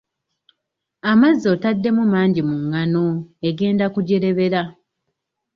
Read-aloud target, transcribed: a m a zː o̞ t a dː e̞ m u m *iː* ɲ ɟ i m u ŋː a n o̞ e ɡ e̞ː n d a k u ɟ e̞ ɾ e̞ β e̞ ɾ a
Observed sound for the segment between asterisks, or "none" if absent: aː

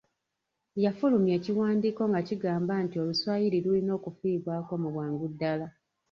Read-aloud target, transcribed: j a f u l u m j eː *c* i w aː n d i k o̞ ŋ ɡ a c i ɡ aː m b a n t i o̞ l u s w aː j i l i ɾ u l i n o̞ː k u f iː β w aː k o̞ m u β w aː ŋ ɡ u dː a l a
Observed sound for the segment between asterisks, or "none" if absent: c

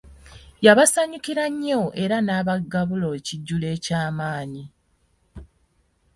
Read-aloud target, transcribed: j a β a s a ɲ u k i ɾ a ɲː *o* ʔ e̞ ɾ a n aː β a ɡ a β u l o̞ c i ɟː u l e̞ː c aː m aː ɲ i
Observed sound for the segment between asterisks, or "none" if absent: o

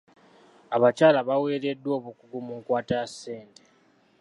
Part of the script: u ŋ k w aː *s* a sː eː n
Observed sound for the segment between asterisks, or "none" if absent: t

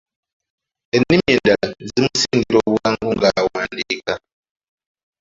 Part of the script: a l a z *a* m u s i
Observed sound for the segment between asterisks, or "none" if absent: i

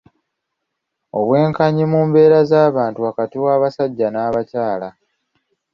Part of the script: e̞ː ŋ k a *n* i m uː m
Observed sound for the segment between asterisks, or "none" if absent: ɲ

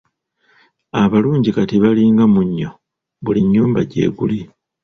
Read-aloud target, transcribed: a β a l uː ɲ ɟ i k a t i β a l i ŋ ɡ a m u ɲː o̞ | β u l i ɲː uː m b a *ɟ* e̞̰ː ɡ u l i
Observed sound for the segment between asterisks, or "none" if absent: ɟ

